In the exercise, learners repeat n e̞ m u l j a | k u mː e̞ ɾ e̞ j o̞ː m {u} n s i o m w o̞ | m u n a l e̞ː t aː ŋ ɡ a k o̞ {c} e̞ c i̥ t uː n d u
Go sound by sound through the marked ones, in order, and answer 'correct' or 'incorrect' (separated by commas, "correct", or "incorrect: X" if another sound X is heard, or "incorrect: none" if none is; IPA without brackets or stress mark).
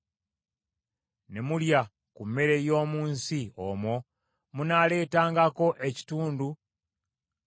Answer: incorrect: uː, incorrect: ʔ